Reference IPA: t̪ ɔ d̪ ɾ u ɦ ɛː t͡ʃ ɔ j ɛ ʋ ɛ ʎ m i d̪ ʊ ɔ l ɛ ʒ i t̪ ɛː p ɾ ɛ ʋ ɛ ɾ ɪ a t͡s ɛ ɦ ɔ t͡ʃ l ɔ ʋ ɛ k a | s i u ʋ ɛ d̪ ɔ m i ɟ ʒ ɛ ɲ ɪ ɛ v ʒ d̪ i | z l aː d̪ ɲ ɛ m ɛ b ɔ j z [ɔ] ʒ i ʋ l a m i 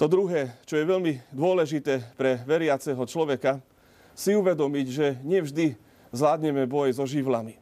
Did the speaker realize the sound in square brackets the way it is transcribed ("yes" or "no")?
yes